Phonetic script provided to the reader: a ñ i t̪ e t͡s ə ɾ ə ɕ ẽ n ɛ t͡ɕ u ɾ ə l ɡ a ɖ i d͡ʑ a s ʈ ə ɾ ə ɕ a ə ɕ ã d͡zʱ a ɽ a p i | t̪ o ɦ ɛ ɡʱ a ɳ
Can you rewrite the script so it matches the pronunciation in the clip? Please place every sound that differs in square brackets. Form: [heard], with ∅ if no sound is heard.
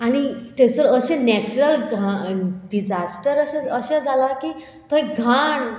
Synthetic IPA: a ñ i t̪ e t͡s ə ɾ ə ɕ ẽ n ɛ t͡ɕ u ɾ ə l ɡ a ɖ i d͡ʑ a s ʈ ə ɾ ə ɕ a ə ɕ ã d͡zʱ a [l] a [k] i | t̪ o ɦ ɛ ɡʱ a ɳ